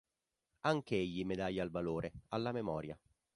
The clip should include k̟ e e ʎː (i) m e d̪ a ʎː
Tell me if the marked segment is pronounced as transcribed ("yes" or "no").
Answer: yes